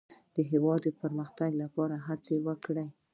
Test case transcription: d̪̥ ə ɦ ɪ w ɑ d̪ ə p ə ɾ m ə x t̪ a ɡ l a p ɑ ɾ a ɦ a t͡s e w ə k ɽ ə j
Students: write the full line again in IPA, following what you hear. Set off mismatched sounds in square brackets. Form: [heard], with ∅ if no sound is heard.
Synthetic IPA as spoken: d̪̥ ə ɦ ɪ w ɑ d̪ ə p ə ɾ m ə x t̪ a ɡ l a p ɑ ɾ a ɦ a t͡s e w ə k ɽ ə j

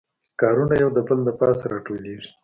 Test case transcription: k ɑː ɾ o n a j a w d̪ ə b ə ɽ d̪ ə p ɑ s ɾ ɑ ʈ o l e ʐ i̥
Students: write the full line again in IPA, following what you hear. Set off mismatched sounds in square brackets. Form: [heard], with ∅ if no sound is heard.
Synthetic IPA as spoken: k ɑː ɾ [u] n a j a w d̪ ə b ə [l] d̪ ə p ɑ s ɾ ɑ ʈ o l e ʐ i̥

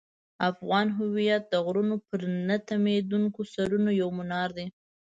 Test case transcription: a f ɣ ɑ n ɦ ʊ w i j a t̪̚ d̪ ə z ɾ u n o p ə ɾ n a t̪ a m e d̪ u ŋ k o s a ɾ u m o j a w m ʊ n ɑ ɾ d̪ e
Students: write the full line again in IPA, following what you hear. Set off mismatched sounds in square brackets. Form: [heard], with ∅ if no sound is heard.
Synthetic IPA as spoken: a f ɣ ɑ n ɦ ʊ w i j a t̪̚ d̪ ə [ɣ] ɾ u n o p ə ɾ n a t̪ a m e d̪ u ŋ k o s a ɾ u [n] o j a w m ʊ n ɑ ɾ d̪ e

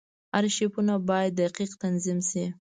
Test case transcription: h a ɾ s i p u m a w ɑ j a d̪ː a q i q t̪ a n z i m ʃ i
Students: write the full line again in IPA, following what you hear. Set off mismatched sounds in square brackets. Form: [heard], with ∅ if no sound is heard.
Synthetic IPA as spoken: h a ɾ [ʃ] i p u [n] a [b] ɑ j a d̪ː a q i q t̪ a n z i m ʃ i

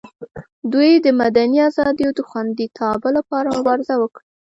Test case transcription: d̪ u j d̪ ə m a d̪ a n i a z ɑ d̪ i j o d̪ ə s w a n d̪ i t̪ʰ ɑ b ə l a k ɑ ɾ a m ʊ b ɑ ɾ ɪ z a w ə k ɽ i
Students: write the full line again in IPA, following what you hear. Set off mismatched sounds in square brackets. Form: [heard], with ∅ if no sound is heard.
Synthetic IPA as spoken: d̪ u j d̪ ə m a d̪ a n i a z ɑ d̪ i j o d̪ ə [x] w a n d̪ i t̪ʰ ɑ b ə l a [p] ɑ ɾ a m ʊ b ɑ ɾ ɪ z a w ə k ɽ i

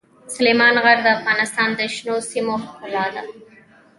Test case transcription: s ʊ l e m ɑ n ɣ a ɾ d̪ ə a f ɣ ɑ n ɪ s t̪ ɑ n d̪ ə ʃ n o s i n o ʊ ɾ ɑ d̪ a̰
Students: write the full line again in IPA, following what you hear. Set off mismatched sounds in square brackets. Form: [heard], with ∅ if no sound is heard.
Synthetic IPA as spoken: s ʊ l e m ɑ n ɣ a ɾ d̪ ə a f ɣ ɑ n ɪ s t̪ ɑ n d̪ ə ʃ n o s i [m] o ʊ [l] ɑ d̪ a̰

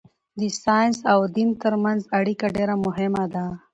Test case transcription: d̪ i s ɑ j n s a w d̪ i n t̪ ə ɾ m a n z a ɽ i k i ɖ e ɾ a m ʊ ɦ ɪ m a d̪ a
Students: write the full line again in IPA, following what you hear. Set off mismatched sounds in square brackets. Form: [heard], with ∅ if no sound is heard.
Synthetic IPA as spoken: d̪ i s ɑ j n s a w d̪ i n t̪ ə ɾ m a n z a ɽ i k [a] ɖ e ɾ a m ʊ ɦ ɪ m a d̪ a

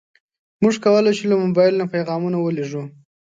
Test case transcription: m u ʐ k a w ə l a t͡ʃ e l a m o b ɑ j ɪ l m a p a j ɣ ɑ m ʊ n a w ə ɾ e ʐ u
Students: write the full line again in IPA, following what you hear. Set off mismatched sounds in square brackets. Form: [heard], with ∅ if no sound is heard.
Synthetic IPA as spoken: m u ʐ k a w ə l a t͡ʃ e l a m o b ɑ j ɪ l [n] a p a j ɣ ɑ m [u] n a w ə [l] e ʐ u

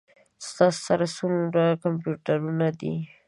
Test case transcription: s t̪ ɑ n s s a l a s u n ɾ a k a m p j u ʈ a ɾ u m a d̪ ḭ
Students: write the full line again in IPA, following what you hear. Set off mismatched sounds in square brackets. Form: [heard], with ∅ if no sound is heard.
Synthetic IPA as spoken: s t̪ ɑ [∅] s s a [ɾ] a s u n ɾ a k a m p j u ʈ a ɾ u [n] a d̪ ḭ

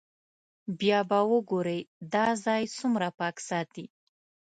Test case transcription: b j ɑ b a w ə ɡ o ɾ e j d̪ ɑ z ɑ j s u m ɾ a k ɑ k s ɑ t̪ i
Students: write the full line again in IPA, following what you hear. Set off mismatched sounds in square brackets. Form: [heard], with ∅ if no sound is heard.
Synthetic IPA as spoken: b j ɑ b a w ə ɡ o ɾ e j d̪ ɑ z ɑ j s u m ɾ a [p] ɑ k s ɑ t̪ i

